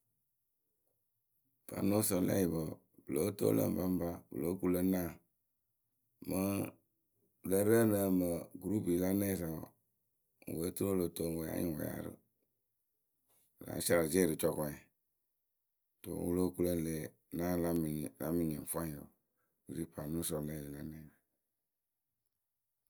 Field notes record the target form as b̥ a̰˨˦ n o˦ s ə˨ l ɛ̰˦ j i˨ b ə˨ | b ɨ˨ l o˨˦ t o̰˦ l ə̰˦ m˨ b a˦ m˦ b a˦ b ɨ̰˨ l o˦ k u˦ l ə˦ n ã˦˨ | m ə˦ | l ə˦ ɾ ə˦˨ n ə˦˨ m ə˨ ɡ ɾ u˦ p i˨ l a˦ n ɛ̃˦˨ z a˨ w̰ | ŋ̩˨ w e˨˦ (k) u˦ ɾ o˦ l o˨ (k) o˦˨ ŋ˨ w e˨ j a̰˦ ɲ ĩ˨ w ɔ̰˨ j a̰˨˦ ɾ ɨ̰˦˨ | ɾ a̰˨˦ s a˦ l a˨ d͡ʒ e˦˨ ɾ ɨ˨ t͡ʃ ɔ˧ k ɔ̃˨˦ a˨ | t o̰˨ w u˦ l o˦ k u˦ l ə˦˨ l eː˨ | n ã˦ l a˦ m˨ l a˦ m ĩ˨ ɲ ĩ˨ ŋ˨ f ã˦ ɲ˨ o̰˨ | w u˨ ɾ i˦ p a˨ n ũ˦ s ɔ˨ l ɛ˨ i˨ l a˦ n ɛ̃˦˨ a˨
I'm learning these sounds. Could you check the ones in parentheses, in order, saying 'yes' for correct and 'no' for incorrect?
no, no

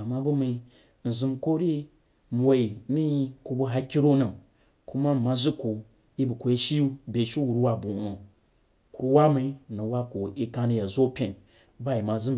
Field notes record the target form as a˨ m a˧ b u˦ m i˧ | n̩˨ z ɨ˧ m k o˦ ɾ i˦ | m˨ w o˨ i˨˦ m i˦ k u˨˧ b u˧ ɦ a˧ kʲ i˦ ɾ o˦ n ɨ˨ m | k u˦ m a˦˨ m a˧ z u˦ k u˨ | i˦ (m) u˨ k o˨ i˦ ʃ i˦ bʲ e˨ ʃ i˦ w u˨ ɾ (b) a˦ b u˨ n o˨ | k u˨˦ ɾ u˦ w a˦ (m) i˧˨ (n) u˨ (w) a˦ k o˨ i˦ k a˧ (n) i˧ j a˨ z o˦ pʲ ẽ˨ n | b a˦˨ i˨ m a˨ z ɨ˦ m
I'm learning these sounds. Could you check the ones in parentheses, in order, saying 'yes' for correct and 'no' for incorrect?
no, no, yes, yes, yes, yes

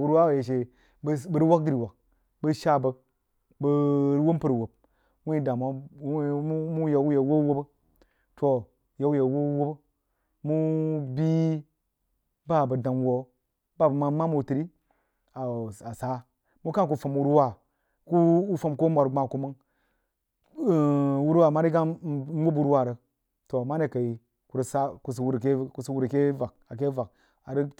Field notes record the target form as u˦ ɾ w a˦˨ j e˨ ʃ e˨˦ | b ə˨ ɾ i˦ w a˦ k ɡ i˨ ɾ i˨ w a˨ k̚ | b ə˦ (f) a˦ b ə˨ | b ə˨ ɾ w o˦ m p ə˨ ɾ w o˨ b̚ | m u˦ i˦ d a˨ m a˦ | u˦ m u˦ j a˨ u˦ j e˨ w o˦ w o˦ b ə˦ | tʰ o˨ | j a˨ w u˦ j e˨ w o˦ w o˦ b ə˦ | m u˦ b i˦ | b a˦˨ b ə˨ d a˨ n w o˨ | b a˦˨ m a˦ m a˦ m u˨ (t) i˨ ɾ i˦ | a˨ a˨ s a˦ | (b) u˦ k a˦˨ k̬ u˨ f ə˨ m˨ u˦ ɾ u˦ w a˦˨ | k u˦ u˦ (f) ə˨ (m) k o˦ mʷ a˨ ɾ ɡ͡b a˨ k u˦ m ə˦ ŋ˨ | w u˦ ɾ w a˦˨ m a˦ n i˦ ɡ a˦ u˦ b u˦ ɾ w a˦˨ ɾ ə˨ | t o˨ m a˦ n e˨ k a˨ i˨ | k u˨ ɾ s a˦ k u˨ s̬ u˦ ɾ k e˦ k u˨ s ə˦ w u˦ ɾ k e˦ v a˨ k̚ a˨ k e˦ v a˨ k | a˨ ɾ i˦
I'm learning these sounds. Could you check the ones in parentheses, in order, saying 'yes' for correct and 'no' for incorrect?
no, yes, no, yes, yes

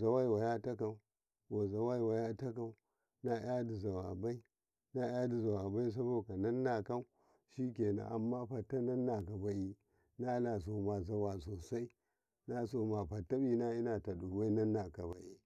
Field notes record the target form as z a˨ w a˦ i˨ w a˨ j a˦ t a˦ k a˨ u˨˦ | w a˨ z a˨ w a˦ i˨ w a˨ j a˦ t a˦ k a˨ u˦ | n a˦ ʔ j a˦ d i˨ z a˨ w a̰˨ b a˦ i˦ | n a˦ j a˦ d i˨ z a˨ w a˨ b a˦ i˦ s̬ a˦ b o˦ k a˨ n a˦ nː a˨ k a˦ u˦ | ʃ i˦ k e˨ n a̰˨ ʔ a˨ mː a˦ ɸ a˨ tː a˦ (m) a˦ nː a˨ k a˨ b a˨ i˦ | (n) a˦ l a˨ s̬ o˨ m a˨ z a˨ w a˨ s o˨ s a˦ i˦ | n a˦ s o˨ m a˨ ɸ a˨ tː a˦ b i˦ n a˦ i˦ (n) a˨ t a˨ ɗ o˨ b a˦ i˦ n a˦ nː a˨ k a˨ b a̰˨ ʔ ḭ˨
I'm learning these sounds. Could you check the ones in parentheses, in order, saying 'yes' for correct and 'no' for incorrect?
no, yes, yes

